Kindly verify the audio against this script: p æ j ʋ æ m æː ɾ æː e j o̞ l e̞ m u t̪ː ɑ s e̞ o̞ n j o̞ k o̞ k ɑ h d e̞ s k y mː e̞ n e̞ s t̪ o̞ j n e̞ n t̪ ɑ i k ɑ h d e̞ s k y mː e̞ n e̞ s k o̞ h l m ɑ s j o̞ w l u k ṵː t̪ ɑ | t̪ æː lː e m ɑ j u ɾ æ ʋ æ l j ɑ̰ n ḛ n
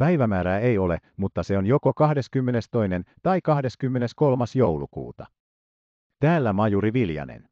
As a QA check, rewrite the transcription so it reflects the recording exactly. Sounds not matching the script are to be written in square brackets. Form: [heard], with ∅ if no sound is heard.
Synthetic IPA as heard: p æ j ʋ æ m æː ɾ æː e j o̞ l e̞ m u t̪ː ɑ s e̞ o̞ n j o̞ k o̞ k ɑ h d e̞ s k y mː e̞ n e̞ s t̪ o̞ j n e̞ n t̪ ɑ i k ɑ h d e̞ s k y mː e̞ n e̞ s k o̞ [∅] l m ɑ s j o̞ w l u k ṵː t̪ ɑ | t̪ æː lː [æ] m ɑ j u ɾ [i] ʋ [i] l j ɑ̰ n ḛ n